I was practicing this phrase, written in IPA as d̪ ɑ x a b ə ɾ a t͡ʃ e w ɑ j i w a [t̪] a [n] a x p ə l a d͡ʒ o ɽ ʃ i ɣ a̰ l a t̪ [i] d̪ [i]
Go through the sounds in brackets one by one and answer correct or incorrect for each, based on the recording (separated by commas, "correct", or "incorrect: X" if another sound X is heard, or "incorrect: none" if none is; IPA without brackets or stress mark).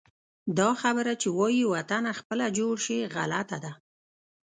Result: correct, correct, incorrect: a, incorrect: a